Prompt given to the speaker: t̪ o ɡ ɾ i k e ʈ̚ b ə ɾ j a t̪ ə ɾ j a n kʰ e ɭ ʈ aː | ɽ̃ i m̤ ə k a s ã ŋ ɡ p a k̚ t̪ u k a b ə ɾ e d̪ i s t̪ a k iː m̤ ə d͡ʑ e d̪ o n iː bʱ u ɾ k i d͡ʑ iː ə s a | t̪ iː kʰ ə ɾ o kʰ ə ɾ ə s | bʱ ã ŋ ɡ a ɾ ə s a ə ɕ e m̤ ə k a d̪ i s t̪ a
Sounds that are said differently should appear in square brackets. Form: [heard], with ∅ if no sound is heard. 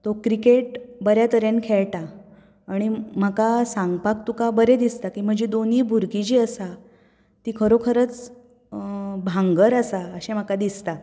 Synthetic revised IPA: t̪ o [k] ɾ i k e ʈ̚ b ə ɾ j a t̪ ə ɾ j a n kʰ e ɭ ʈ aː | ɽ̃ i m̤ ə k a s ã ŋ ɡ p a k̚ t̪ u k a b ə ɾ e d̪ i s t̪ a k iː m̤ ə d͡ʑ e d̪ o n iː bʱ u ɾ k i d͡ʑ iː ə s a | t̪ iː kʰ ə ɾ o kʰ ə ɾ ə [t͡s] | bʱ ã ŋ ɡ [ə] ɾ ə s a ə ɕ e m̤ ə k a d̪ i s t̪ a